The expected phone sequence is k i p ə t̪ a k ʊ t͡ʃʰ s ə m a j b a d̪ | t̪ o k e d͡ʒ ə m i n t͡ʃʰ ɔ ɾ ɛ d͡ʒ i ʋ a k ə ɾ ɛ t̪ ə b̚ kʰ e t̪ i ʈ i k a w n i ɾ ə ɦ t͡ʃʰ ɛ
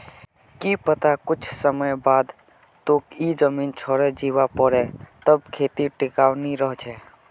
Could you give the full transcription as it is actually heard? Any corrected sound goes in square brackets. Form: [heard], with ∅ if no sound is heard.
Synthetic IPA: k i p ə t̪ a k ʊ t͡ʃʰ s ə m [ə] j b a d̪ | t̪ o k [i] d͡ʒ ə m i n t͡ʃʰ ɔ ɾ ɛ d͡ʒ i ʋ a [p] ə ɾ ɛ t̪ ə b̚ kʰ e t̪ i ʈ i k a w n i ɾ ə ɦ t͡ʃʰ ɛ